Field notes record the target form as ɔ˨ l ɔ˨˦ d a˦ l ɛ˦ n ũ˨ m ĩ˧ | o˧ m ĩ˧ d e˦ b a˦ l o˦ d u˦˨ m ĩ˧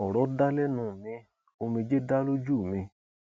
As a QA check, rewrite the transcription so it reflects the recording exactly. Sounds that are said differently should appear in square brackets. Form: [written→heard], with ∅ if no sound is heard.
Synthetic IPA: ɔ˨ [l→ɾ] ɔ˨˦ d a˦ l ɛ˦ n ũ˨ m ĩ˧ | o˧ m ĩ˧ [d→d͡ʒ] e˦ [b→d] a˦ l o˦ [d→d͡ʒ] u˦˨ m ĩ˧